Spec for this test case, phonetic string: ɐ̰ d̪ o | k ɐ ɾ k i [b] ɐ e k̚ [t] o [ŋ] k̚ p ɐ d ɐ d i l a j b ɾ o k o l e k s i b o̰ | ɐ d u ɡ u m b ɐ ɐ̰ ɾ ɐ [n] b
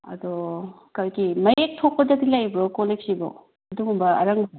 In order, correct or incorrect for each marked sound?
incorrect: m, incorrect: tʰ, incorrect: none, incorrect: ŋ

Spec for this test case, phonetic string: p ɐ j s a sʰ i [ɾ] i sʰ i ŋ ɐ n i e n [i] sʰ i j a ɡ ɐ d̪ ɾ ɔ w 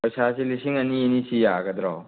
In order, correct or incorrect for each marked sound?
incorrect: l, correct

